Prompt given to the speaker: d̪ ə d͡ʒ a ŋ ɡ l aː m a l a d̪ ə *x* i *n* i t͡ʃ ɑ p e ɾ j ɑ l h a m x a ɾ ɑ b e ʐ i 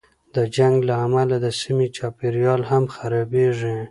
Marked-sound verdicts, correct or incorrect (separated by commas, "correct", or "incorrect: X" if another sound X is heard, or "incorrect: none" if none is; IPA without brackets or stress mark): incorrect: s, incorrect: m